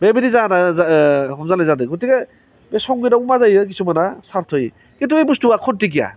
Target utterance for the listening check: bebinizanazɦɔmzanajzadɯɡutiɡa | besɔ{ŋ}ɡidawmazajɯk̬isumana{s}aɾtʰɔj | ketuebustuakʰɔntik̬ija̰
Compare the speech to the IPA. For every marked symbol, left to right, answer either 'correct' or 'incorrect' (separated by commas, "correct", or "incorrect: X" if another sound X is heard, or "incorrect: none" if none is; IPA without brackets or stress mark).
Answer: correct, correct